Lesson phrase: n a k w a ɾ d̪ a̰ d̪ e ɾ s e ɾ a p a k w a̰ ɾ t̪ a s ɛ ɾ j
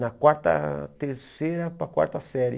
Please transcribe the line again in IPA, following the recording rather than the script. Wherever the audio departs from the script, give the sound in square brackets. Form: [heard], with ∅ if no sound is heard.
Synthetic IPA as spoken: n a k w a ɾ [t̪] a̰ [t̪] e ɾ s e ɾ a p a k w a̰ ɾ t̪ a s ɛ ɾ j